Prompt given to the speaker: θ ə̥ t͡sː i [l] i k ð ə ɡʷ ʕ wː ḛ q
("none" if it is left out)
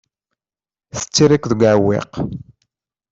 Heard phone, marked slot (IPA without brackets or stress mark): ɾ